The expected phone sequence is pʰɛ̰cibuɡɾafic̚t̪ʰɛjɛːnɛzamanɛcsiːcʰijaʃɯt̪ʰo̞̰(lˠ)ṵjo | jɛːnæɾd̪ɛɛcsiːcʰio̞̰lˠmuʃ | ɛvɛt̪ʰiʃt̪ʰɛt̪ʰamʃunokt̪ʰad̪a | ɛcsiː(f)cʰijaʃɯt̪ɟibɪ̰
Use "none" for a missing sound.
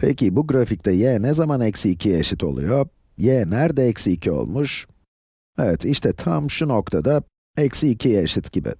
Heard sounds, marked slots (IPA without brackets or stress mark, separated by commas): lˠ, none